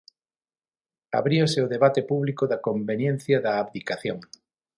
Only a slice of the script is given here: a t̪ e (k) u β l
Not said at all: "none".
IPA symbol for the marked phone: p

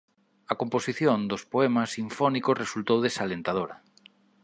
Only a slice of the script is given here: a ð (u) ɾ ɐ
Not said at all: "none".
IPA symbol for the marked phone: o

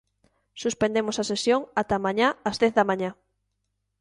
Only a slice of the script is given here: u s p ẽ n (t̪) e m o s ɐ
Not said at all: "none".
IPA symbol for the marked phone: d̪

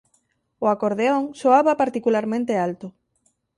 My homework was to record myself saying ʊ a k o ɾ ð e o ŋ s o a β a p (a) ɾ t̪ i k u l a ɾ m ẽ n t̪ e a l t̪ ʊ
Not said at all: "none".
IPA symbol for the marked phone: a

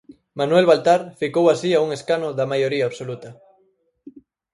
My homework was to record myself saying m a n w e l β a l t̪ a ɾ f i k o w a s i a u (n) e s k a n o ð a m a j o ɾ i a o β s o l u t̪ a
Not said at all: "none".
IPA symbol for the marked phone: ŋ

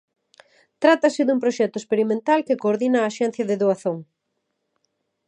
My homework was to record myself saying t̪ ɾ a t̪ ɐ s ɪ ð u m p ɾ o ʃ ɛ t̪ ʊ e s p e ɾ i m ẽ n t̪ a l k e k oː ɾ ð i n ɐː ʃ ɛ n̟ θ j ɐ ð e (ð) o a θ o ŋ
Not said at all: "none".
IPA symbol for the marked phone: ð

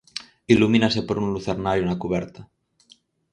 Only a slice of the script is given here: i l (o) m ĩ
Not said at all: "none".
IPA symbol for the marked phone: u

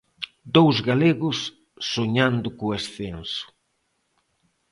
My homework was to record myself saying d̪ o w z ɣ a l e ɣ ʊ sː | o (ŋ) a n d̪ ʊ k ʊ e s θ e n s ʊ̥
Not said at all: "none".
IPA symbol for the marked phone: ɲ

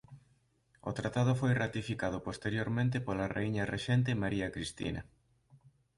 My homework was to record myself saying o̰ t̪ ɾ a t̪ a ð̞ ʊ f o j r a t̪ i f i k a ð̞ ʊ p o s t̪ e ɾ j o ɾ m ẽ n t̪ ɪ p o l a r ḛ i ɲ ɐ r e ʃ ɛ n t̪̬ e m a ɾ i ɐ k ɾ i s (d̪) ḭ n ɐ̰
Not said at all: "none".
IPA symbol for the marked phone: t̪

